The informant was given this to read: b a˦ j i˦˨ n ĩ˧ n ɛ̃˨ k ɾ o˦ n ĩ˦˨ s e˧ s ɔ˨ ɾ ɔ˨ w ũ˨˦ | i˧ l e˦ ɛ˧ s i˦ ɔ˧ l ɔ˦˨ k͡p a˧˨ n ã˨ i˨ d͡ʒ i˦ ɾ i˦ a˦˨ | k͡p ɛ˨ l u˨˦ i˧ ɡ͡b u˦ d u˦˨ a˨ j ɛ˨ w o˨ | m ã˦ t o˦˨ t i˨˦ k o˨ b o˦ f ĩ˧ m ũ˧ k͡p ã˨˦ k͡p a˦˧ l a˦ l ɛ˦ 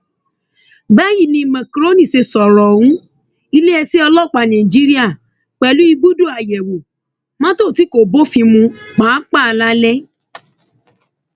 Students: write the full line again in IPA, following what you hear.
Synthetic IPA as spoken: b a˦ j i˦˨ n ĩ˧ m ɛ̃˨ k ɾ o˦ n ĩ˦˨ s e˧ s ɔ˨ ɾ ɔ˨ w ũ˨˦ | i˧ l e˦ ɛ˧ s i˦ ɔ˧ l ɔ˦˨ k͡p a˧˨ n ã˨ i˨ d͡ʒ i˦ ɾ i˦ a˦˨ | k͡p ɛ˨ l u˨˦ i˧ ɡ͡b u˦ d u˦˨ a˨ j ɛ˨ w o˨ | m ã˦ t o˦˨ t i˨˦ k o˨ b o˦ f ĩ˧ m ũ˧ k͡p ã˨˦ k͡p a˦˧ l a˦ l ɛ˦